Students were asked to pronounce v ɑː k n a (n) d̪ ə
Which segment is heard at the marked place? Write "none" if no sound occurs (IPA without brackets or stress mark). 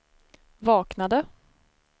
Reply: none